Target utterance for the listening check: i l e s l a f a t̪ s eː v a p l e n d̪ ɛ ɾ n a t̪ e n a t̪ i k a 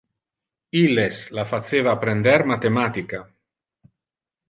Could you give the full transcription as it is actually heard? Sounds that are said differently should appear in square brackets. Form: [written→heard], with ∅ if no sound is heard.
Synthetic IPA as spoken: i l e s l a f a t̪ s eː v a p [l→ɾ] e n d̪ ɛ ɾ [n→m] a t̪ e [n→m] a t̪ i k a